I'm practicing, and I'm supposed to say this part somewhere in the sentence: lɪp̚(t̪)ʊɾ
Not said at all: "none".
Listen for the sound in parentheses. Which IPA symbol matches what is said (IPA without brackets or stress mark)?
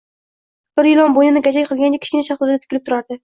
t̪